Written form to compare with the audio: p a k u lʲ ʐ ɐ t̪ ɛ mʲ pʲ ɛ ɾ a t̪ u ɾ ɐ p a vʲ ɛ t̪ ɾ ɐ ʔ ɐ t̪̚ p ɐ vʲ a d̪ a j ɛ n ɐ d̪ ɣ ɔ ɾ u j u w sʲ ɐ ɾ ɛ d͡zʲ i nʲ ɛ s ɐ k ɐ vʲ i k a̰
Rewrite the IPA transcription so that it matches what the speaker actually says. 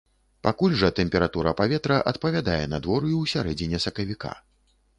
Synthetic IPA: p a k u lʲ ʐ ɐ t̪ ɛ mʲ pʲ ɛ ɾ a t̪ u ɾ ɐ p a vʲ ɛ t̪ ɾ ɐ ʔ ɐ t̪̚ p ɐ vʲ a d̪ a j ɛ n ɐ d̪ v ɔ ɾ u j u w sʲ a ɾ ɛ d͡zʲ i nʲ ɛ s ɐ k ɐ vʲ i k a̰